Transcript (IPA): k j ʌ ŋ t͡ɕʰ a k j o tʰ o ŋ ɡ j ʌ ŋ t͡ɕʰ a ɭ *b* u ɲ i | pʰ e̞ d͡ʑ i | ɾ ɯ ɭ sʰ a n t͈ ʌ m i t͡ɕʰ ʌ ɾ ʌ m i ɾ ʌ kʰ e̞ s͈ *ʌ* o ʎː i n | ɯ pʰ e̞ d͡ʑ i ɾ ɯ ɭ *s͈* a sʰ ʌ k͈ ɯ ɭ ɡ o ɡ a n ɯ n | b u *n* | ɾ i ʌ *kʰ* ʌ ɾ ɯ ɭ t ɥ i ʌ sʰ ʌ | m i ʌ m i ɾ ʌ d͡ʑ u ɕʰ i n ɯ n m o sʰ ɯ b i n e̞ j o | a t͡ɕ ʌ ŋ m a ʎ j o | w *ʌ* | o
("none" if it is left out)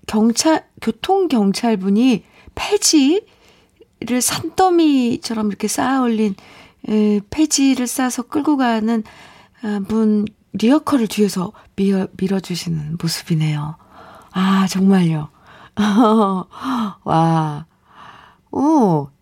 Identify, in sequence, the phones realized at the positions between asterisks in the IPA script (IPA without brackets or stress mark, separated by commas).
b, a, s͈, n, kʰ, a